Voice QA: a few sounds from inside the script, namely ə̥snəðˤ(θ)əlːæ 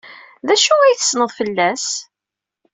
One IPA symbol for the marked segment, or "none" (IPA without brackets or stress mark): f